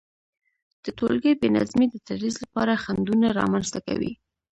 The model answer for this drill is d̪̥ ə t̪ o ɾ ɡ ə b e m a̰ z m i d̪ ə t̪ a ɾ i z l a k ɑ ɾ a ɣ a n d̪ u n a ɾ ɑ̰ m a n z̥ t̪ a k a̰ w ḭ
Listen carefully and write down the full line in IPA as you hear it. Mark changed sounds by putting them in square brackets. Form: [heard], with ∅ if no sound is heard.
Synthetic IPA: d̪̥ ə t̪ o [l] ɡ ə b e [n] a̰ z m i d̪ ə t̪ a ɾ i z l a [p] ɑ ɾ a [x] a n d̪ u n a ɾ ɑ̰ m a n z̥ t̪ a k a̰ w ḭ